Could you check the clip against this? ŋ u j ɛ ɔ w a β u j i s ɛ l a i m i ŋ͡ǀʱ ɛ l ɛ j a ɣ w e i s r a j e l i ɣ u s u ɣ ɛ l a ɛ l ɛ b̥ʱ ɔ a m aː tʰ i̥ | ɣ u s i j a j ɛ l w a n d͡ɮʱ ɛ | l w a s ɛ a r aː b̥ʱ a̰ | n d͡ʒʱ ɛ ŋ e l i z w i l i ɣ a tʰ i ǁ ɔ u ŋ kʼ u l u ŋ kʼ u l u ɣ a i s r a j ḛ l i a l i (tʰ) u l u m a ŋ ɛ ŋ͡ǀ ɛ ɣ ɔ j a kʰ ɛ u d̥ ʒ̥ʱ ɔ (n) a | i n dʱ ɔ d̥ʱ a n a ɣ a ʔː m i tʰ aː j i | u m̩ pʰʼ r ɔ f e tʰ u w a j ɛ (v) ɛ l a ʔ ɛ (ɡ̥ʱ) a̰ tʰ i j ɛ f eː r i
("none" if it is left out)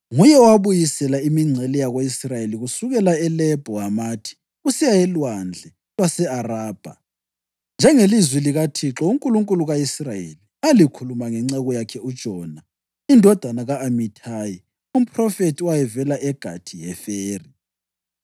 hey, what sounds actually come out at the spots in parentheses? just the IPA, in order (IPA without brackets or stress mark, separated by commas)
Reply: kʰ, n, v, ɡ̥ʱ